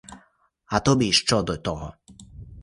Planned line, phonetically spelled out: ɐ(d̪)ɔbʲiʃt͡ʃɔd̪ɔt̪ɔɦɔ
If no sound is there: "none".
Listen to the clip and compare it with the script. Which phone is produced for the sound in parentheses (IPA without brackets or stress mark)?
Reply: t̪